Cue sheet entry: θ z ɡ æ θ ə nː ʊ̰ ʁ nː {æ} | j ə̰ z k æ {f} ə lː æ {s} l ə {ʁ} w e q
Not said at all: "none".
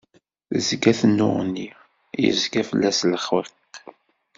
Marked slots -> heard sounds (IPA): i, f, s, χ

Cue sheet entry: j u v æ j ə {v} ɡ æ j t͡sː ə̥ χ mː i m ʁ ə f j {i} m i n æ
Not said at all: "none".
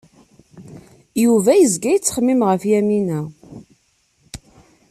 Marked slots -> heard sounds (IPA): z, æ

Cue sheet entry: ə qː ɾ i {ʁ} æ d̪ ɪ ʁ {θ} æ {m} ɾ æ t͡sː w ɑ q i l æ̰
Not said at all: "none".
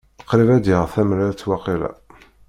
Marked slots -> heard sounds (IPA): v, θ, m

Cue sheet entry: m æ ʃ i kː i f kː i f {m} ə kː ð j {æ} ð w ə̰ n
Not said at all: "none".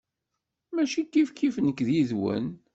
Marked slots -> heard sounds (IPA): n, i

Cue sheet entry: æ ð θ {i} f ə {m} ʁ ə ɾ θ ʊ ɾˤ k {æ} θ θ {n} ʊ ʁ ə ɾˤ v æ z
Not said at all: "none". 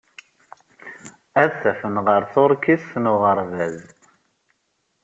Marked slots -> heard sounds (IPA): æ, n, i, n

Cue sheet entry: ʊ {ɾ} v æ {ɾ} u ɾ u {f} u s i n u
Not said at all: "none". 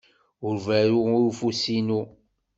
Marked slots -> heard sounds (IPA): ɾ, ɾ, f

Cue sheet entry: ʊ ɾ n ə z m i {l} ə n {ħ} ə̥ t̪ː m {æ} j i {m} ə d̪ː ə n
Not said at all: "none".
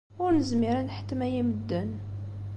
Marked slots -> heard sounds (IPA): ɾ, ħ, æ, m

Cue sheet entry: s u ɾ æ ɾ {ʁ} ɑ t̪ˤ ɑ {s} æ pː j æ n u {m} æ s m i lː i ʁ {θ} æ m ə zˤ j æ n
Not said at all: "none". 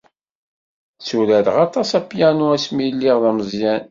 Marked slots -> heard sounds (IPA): ʁ, s, none, ð

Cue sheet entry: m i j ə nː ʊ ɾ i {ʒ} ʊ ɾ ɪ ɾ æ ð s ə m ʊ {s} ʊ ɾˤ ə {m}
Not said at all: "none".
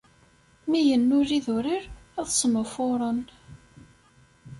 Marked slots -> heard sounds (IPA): ð, f, n

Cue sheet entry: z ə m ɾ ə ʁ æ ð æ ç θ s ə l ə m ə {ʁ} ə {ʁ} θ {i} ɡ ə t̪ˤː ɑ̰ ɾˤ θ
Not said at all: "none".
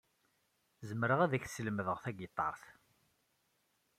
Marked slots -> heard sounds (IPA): ð, ʁ, æ

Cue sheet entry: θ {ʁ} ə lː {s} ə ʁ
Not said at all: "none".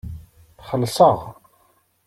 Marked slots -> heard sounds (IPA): χ, s

